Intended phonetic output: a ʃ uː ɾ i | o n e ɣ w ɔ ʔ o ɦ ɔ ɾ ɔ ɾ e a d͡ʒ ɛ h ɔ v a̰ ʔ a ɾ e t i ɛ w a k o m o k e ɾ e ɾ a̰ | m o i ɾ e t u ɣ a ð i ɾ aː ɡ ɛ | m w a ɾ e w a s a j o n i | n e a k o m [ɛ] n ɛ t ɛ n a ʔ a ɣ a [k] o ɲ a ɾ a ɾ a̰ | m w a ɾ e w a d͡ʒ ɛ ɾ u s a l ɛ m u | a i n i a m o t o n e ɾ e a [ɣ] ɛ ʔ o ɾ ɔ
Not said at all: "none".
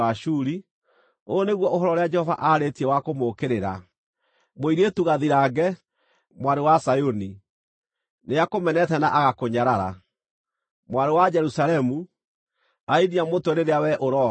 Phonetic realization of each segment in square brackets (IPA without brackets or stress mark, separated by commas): ɛ, k, w